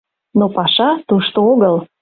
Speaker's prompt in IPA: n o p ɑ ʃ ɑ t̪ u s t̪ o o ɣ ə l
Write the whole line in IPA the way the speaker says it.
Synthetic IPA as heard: n o p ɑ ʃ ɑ t̪ u ʃ t̪ o o ɣ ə l